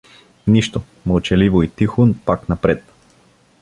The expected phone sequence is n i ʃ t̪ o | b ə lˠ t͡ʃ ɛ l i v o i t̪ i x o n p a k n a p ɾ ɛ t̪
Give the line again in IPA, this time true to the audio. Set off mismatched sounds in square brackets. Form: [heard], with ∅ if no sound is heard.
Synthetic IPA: n i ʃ t̪ o | [m] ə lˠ t͡ʃ ɛ l i v o i t̪ i x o n p a k n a p ɾ ɛ t̪